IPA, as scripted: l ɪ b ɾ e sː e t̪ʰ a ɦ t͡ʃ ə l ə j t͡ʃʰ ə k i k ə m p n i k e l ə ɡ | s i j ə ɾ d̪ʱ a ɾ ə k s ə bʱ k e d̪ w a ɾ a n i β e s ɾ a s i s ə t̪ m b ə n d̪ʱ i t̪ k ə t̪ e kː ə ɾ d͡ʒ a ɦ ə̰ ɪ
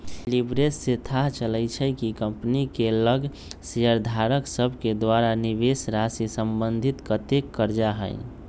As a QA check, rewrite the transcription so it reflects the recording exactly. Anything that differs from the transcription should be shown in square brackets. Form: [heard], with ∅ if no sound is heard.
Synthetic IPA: l [i] b ɾ e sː e t̪ʰ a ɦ t͡ʃ ə l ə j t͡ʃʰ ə k i k ə m p n i k e l ə ɡ | s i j ə ɾ d̪ʱ a ɾ ə k s ə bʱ k e d̪ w a ɾ a n i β e s ɾ a s i s ə [∅] m b ə n d̪ʱ i t̪ k ə t̪ e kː ə ɾ d͡ʒ a ɦ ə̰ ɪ